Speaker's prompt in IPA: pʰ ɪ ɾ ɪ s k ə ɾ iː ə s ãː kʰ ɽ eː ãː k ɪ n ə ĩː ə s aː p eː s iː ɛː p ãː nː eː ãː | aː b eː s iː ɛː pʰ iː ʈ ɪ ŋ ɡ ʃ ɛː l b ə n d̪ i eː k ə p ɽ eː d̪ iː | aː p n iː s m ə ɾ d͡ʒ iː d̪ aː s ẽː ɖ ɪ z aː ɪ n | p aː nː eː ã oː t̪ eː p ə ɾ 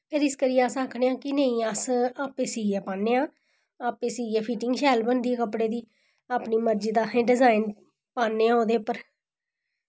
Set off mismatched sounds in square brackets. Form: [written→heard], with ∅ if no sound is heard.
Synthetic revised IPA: pʰ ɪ ɾ ɪ s k ə ɾ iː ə s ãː kʰ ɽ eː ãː k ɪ n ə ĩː ə s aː p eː s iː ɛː p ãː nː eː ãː | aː [b→p] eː s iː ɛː pʰ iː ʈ ɪ ŋ ɡ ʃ ɛː l b ə n d̪ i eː k ə p ɽ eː d̪ iː | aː p n iː [s→∅] m ə ɾ d͡ʒ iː d̪ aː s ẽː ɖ ɪ z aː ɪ n | p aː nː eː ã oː [t̪→d̪] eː p ə ɾ